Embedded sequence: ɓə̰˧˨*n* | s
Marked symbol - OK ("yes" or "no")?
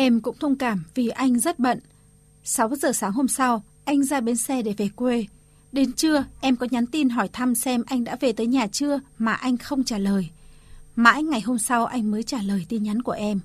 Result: yes